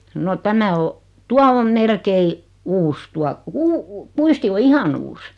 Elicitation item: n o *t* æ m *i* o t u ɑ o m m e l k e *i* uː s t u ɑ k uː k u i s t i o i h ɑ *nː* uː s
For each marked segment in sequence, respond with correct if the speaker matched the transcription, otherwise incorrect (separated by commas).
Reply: correct, incorrect, correct, incorrect